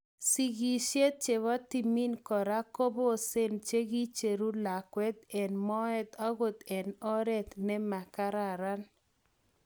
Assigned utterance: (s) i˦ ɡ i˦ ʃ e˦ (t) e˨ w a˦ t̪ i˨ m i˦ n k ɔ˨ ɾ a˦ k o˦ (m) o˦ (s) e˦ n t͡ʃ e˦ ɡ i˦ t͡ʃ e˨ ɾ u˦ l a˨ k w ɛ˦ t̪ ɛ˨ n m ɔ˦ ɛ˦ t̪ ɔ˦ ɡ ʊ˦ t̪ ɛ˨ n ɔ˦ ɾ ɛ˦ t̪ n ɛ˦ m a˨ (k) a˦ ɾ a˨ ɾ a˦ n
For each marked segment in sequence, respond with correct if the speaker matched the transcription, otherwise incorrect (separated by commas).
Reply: correct, incorrect, incorrect, correct, correct